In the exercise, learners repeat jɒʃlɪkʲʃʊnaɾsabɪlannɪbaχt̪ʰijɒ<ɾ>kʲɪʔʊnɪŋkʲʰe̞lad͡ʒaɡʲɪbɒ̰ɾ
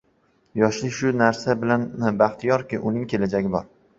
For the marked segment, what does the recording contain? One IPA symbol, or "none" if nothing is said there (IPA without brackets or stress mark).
ɾ